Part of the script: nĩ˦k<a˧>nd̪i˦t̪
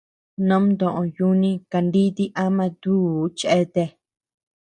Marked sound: correct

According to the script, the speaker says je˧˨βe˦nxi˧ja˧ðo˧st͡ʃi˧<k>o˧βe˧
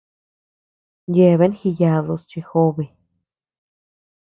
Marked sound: incorrect: x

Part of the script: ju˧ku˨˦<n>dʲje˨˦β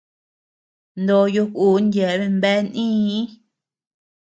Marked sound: correct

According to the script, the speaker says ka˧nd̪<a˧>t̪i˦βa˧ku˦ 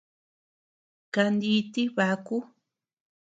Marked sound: incorrect: i˧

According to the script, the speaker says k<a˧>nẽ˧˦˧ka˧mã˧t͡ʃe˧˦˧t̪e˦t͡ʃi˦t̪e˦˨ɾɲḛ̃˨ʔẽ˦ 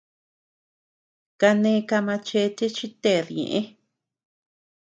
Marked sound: correct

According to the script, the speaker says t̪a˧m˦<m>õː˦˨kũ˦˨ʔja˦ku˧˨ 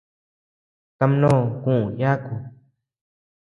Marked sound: incorrect: n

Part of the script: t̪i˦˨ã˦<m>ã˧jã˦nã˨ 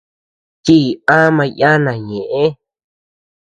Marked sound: correct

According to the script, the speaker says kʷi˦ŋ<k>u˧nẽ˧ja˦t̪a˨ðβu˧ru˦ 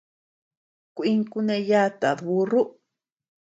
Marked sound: correct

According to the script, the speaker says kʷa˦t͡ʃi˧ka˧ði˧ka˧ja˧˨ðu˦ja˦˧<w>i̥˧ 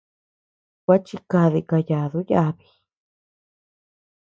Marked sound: incorrect: β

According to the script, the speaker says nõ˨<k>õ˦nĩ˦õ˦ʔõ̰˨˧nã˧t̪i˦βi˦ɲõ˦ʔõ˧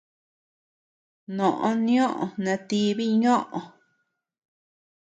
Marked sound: incorrect: ʔ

